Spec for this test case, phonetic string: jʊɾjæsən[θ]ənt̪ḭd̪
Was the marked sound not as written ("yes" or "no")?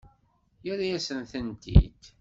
no